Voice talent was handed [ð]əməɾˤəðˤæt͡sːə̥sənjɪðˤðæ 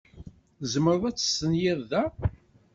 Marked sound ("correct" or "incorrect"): incorrect